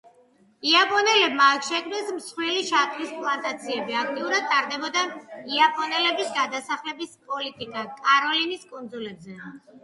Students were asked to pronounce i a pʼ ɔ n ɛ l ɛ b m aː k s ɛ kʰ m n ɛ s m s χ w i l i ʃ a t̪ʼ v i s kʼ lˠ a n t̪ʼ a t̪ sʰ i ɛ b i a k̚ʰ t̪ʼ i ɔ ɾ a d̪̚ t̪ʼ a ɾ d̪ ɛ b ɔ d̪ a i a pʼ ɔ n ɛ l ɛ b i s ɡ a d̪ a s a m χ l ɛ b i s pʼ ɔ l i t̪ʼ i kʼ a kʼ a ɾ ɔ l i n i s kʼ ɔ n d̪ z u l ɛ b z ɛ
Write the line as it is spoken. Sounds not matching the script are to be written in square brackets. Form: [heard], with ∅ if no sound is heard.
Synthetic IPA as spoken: i a pʼ ɔ n ɛ l ɛ b m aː k [ʃ] ɛ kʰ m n ɛ s m s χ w i l i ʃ a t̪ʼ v i s [pʼ] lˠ a n t̪ʼ a t̪ sʰ i ɛ b i a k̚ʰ t̪ʼ i [u] ɾ a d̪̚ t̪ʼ a ɾ d̪ ɛ b ɔ d̪ a i a pʼ ɔ n ɛ l ɛ b i s ɡ a d̪ a s a [∅] χ l ɛ b i s pʼ ɔ l i t̪ʼ i kʼ a kʼ a ɾ ɔ l i n i s kʼ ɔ n d̪ z u l ɛ b z ɛ